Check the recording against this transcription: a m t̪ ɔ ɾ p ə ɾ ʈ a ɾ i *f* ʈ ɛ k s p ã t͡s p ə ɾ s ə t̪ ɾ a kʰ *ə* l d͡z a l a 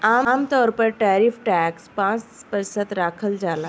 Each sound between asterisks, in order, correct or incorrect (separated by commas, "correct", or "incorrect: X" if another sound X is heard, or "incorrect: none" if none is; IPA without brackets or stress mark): correct, correct